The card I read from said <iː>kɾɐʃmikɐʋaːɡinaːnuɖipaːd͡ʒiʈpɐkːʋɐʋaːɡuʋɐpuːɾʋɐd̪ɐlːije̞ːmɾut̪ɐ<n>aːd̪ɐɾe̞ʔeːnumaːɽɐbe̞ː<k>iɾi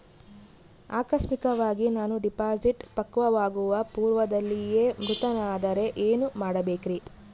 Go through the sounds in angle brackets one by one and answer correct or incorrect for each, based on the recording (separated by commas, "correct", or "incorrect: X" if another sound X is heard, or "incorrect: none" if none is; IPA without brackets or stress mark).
incorrect: aː, correct, correct